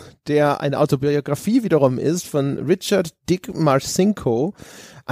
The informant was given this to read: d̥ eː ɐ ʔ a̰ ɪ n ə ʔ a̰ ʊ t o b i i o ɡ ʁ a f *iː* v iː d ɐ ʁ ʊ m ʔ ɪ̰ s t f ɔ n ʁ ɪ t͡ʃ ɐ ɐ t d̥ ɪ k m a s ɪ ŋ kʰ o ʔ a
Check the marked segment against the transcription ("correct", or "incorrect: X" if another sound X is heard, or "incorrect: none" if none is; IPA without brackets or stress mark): correct